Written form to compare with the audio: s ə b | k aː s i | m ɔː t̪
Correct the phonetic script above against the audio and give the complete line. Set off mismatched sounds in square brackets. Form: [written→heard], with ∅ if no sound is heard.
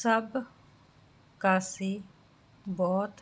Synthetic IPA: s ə b | k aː s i | [m→b] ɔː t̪